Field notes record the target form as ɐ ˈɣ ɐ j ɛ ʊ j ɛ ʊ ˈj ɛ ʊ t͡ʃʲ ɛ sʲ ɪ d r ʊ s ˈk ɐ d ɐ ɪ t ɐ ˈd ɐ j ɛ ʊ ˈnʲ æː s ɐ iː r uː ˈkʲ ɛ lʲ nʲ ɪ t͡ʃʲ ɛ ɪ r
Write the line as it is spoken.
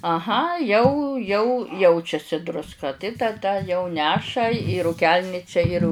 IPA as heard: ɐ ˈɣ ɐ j ɛ ʊ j ɛ ʊ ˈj ɛ ʊ t͡ʃʲ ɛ sʲ ɪ d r ʊ s ˈk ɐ t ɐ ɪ t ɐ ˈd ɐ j ɛ ʊ ˈnʲ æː ʃ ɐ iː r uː ˈkʲ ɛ lʲ nʲ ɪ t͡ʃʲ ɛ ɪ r